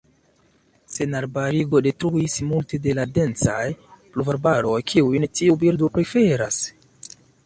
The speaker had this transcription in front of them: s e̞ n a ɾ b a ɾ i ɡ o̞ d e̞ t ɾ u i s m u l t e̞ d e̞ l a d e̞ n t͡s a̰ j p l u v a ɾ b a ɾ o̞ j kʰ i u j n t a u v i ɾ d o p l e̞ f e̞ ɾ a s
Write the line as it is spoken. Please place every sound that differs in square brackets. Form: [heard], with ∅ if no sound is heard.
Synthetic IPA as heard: s e̞ n a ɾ b a ɾ i ɡ o̞ d e̞ t ɾ u i s m u l t e̞ d e̞ l a d e̞ n t͡s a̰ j p l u v a ɾ b a ɾ o̞ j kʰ i u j n t [i] u [b] i ɾ d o p [ɾ] e̞ f e̞ ɾ a s